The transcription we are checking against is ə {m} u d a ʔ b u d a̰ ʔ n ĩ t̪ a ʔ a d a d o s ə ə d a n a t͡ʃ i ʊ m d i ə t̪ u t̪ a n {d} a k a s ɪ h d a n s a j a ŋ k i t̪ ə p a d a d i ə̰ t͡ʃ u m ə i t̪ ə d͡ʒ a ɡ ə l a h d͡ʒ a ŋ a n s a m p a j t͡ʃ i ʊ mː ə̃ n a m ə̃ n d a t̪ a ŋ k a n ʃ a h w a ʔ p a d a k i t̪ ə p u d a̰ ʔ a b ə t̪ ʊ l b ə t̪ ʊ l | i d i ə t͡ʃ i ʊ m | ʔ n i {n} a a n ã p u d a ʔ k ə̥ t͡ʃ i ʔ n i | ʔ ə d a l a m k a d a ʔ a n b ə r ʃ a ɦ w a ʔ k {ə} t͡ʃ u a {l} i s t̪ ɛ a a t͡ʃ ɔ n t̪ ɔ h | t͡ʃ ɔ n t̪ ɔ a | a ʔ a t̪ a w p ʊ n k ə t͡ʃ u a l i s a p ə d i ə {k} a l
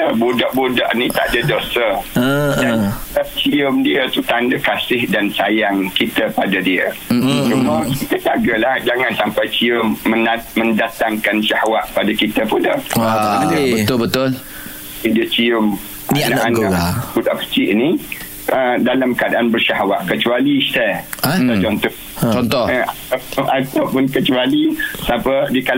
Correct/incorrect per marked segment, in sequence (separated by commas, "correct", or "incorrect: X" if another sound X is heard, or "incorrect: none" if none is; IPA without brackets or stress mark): incorrect: b, correct, correct, correct, correct, correct